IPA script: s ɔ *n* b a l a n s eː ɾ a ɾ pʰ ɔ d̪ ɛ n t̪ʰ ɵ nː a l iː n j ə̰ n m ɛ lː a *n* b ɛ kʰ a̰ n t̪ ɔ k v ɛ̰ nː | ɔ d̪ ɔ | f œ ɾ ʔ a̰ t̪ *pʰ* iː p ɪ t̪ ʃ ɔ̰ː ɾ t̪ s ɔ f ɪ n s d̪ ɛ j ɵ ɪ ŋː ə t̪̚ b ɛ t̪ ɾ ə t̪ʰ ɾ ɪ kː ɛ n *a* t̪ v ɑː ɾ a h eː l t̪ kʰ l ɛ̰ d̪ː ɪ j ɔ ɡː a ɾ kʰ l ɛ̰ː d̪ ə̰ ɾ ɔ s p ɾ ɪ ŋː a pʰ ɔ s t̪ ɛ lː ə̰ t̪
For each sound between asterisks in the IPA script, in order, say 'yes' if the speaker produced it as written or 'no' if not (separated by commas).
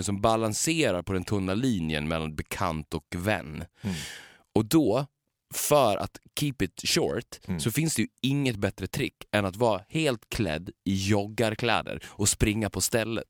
no, yes, no, yes